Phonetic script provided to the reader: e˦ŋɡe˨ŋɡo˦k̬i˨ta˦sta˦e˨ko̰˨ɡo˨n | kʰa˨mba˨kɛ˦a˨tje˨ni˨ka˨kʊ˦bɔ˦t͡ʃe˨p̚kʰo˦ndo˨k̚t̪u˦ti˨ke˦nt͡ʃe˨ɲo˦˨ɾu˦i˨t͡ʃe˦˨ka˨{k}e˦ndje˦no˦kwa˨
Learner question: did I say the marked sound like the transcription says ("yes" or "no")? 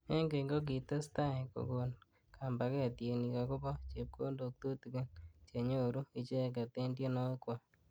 no